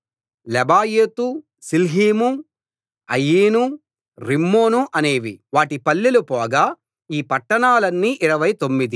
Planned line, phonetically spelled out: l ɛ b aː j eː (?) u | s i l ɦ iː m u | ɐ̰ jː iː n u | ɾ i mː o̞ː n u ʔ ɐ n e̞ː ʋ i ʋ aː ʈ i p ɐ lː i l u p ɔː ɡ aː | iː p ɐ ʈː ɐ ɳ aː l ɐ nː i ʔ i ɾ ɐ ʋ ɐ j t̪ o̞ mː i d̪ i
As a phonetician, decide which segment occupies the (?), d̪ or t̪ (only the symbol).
t̪